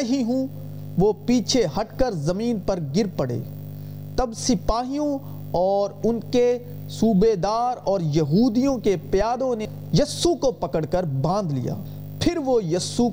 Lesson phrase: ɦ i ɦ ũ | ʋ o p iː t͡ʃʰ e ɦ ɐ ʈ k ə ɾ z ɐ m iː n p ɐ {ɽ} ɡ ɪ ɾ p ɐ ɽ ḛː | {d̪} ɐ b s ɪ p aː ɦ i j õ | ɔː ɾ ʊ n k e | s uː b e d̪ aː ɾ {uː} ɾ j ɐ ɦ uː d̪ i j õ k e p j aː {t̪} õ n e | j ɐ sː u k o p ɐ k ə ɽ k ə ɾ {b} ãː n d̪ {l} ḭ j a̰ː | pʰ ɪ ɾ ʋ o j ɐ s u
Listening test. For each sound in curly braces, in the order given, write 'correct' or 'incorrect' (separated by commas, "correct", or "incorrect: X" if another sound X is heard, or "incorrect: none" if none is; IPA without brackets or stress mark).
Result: incorrect: ɾ, incorrect: t̪, incorrect: ɔː, incorrect: d̪, correct, correct